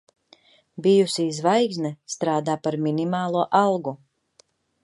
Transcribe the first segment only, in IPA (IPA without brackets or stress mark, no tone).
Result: b